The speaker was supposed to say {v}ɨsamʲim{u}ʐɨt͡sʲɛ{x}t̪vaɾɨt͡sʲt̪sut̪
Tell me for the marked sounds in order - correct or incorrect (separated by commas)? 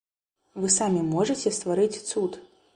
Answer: correct, incorrect, incorrect